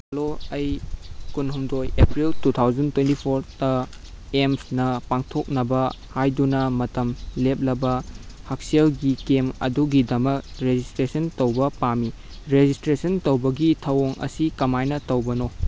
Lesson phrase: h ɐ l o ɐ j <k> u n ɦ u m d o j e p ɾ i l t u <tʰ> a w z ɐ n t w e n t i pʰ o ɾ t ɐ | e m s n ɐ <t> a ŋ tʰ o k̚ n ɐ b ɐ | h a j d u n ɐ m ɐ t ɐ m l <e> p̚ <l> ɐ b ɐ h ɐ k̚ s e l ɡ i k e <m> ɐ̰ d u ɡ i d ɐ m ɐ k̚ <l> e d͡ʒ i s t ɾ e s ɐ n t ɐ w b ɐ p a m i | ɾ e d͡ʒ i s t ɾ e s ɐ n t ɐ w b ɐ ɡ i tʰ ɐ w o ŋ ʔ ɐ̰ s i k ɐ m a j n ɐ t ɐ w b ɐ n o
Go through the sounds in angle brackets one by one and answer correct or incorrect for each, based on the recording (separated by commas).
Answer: correct, correct, incorrect, correct, correct, correct, incorrect